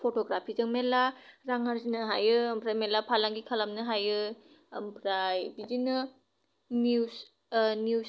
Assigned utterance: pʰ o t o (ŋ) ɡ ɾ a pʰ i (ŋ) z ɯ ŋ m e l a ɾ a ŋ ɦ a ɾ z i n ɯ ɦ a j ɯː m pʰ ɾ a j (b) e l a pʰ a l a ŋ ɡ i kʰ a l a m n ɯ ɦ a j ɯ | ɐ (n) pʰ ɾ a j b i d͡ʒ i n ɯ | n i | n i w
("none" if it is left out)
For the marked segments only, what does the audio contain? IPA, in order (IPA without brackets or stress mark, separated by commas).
none, none, m, m